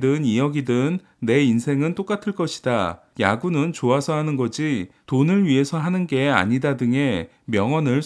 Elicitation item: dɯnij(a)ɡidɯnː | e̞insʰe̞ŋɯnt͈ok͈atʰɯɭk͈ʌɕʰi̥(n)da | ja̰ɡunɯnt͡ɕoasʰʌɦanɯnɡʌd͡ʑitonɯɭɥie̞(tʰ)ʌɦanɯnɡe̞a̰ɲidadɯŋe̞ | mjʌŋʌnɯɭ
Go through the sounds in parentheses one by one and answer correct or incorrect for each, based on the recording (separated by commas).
incorrect, incorrect, incorrect